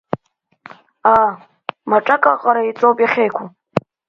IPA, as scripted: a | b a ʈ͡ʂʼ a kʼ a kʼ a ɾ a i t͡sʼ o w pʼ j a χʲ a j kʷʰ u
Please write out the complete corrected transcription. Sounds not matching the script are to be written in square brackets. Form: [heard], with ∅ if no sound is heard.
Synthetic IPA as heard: a | [m] a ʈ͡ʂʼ a kʼ a [qʼ] a ɾ a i t͡sʼ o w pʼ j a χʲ [e] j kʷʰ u